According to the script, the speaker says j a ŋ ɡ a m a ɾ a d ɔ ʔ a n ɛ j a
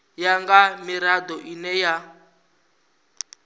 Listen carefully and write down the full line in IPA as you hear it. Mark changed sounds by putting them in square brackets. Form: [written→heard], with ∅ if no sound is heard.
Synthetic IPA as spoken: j a ŋ ɡ a m [a→i] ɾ a d ɔ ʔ [a→i] n ɛ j a